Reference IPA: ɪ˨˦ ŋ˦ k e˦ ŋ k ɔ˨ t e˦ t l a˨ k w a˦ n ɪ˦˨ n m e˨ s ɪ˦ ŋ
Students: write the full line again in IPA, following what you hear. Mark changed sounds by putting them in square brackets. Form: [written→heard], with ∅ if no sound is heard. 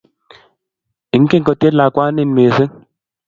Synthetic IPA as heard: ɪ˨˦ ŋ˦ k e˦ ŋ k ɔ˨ t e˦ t l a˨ k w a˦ n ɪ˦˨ n m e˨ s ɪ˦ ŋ